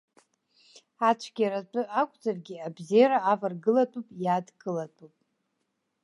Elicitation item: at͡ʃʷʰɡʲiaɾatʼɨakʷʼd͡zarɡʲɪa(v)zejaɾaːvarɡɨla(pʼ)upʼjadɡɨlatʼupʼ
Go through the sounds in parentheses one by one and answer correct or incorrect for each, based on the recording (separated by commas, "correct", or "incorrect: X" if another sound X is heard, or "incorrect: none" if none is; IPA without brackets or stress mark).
incorrect: b, incorrect: tʼ